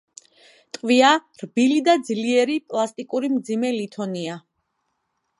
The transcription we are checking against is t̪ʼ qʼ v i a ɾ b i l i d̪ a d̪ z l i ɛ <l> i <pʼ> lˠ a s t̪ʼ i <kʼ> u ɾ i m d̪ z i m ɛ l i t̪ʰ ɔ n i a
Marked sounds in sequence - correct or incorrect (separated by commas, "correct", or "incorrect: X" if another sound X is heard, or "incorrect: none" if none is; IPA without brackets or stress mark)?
incorrect: ɾ, correct, correct